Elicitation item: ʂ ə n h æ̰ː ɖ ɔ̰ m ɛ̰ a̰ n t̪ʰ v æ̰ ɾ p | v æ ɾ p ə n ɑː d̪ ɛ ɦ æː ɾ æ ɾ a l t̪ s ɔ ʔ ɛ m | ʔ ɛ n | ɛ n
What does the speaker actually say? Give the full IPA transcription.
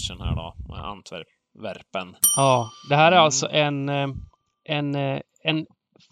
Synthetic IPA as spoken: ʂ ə n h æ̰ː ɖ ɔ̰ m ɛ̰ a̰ n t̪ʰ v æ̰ ɾ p | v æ ɾ p ə n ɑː d̪ ɛ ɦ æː ɾ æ ɾ a l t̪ s ɔ ʔ ɛ n | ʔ ɛ n | ɛ n